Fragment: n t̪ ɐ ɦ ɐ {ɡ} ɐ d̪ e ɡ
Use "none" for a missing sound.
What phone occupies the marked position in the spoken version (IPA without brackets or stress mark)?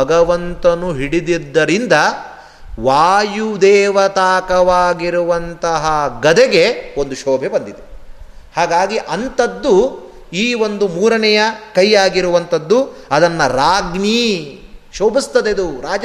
ɡ